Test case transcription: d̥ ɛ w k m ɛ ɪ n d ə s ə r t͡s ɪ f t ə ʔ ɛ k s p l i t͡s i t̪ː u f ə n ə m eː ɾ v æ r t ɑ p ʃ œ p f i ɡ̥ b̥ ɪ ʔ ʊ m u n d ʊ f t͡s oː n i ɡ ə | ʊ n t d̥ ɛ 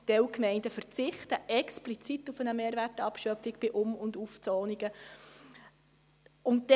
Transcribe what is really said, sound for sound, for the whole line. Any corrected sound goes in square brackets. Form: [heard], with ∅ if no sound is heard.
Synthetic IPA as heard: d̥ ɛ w k m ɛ ɪ n d ə [f] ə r t͡s ɪ [χ] t ə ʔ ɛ k s p l i t͡s i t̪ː u f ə n ə m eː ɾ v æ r t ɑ p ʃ œ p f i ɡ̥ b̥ ɪ ʔ ʊ m [ʊ] n d [u] f t͡s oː n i ɡ ə | ʊ n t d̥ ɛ